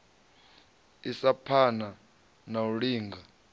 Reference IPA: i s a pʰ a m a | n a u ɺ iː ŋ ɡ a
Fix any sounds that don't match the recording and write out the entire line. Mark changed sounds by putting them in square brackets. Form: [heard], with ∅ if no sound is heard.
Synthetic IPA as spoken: i s a pʰ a [n] a | n a u ɺ iː ŋ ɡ a